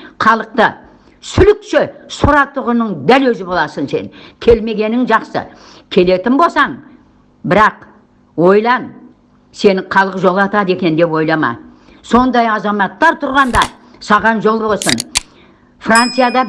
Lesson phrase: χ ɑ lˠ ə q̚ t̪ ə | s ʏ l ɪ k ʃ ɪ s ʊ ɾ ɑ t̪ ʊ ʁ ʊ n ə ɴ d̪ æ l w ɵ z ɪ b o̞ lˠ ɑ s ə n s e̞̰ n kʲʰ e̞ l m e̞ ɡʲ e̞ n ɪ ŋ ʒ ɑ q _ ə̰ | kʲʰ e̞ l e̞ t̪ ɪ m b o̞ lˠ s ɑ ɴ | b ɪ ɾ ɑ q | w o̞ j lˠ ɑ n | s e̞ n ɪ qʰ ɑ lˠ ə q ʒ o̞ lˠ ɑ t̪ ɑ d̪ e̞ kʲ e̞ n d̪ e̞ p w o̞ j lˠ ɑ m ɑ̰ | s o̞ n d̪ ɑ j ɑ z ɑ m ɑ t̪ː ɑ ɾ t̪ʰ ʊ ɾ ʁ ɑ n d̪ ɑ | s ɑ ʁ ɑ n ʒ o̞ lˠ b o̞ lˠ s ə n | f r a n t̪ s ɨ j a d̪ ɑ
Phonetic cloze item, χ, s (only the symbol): s